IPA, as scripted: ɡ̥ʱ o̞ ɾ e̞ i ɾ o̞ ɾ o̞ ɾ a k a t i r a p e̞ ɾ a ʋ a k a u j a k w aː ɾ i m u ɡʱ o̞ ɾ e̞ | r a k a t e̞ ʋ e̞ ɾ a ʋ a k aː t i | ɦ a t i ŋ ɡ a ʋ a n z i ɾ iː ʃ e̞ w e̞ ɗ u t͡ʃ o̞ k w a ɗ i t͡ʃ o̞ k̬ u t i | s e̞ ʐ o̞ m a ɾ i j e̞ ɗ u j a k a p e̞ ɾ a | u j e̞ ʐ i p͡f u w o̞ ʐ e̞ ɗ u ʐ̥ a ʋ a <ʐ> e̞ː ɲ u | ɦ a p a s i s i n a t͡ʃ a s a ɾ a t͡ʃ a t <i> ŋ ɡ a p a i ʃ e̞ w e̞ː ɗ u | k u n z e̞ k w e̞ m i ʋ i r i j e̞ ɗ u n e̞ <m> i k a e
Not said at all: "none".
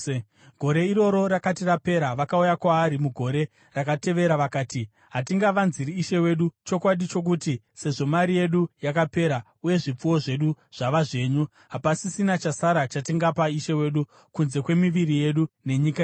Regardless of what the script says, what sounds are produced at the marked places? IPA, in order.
ʐ, i, ɲ

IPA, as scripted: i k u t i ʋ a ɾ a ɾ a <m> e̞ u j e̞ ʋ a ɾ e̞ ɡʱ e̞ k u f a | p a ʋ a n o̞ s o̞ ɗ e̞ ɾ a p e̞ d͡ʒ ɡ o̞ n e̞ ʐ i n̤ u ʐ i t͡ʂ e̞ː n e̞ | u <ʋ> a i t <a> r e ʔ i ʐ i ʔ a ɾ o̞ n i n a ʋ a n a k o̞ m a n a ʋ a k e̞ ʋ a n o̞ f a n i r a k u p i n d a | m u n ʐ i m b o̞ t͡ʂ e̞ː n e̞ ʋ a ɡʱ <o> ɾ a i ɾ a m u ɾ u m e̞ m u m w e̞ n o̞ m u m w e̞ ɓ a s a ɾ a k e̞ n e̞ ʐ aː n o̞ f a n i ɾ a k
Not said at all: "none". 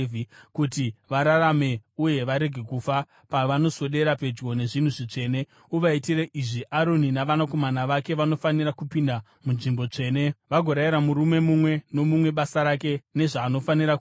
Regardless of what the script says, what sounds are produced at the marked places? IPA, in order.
m, ʋ, i, o

